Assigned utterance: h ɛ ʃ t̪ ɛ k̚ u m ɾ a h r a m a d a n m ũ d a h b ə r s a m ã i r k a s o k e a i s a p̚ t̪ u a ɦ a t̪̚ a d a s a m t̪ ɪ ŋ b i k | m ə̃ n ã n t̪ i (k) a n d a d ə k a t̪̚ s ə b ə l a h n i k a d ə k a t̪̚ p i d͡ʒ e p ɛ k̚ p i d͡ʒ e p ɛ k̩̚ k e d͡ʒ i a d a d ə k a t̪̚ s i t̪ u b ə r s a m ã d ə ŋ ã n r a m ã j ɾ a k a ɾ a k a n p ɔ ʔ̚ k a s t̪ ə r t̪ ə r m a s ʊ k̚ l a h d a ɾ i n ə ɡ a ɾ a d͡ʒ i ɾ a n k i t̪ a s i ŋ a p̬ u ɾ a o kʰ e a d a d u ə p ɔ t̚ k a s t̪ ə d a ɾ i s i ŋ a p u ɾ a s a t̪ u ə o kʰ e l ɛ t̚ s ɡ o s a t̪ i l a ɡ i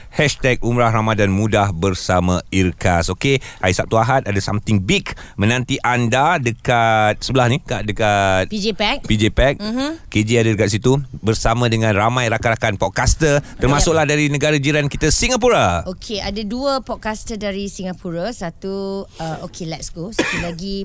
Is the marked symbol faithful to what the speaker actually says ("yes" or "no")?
no